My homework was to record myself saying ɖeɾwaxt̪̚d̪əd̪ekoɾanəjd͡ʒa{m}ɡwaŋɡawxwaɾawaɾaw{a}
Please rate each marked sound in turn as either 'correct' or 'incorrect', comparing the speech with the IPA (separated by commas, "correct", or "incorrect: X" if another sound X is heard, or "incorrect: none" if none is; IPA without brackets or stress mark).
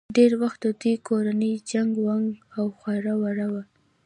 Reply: incorrect: ŋ, correct